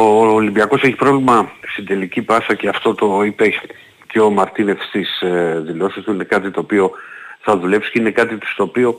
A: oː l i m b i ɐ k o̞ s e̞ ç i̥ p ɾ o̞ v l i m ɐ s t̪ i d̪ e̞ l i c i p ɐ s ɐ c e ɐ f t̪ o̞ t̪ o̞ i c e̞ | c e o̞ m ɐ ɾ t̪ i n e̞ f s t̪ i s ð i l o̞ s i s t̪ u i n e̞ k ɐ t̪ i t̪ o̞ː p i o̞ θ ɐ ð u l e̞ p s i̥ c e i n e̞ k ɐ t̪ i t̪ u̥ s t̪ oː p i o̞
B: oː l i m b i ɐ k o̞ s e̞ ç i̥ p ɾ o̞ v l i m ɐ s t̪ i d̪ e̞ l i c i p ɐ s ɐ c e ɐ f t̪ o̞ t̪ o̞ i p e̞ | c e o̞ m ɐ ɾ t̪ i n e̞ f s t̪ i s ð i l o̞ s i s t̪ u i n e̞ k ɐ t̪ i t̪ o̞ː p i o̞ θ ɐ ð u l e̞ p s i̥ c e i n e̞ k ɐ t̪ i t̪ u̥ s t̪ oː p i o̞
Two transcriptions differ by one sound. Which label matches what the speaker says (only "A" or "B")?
B